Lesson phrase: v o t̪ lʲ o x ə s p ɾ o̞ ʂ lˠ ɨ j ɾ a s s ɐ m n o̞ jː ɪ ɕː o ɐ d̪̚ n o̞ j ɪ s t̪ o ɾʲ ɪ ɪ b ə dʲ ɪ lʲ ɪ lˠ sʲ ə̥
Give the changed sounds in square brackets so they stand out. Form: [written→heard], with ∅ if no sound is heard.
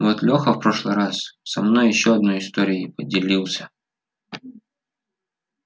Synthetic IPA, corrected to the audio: v o t̪ lʲ o x ə [s→f] p ɾ o̞ ʂ lˠ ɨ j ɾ a s s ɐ m n o̞ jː ɪ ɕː o ɐ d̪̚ n o̞ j ɪ s t̪ o ɾʲ ɪ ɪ [b→p] ə dʲ ɪ lʲ [ɪ→i] lˠ sʲ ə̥